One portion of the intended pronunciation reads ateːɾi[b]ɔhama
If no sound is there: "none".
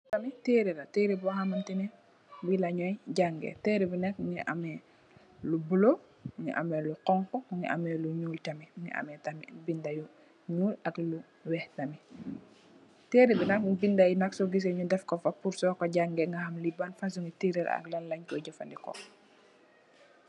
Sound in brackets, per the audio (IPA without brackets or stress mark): b